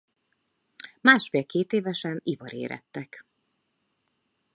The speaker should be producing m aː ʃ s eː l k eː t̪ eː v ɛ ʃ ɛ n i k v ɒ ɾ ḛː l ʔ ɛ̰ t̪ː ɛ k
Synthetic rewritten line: m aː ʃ f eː l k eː t̪ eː v ɛ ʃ ɛ n i v ɒ ɾ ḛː ɾ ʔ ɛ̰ t̪ː ɛ k